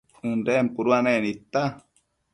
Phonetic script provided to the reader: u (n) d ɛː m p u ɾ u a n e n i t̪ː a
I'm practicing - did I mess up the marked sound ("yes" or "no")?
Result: no